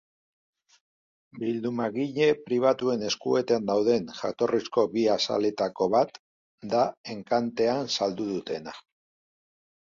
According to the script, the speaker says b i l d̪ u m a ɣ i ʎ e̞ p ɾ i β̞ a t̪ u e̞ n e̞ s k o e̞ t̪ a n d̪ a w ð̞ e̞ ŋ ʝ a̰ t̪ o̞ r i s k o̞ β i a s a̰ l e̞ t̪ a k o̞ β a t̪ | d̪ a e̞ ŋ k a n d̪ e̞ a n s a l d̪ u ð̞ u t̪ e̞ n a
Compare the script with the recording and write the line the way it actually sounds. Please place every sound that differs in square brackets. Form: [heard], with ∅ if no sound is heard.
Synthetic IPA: b i l d̪ u m a ɣ i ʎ e̞ p ɾ i β̞ a t̪ u e̞ n e̞ s k [u] e̞ t̪ a n d̪ a w ð̞ e̞ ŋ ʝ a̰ t̪ o̞ r i s k o̞ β i a s a̰ l e̞ t̪ a k o̞ β a t̪ | d̪ a e̞ ŋ k a n [t̪] e̞ a n s a l d̪ u ð̞ u t̪ e̞ n a